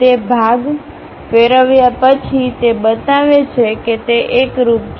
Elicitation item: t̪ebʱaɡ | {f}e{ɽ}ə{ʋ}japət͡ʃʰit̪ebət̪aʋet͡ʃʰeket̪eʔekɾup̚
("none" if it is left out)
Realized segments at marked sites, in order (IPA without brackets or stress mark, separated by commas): f, ɾ, ʋ